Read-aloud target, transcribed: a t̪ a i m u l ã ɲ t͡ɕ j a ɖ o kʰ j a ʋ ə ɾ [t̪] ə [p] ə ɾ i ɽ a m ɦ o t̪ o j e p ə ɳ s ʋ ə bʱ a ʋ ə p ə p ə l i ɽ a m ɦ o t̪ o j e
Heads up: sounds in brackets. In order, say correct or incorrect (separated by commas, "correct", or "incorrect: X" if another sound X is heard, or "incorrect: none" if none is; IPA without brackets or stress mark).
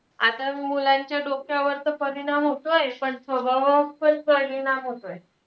correct, correct